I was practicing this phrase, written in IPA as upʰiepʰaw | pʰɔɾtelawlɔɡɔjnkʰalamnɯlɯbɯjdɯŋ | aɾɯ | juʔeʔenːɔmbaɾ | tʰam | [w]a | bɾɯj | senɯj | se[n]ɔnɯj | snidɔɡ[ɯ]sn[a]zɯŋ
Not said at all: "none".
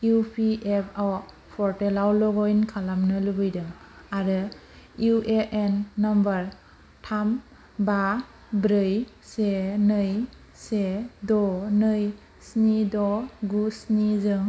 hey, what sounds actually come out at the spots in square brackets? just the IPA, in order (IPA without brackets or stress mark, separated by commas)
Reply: b, d, u, i